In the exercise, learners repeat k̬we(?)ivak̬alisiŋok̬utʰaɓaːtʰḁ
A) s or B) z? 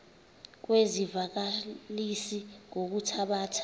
B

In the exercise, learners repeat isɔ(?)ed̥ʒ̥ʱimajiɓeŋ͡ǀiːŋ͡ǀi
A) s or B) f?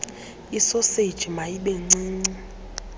A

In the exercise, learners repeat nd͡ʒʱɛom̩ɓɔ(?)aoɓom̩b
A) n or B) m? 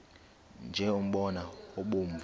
A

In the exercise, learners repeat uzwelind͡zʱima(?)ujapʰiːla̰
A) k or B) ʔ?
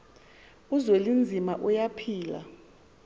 B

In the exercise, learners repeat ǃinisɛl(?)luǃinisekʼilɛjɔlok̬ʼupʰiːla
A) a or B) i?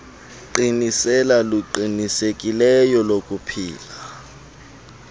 A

